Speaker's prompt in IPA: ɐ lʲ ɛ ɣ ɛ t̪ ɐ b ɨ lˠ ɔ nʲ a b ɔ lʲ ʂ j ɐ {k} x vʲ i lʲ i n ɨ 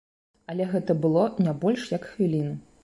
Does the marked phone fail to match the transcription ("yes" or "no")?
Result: no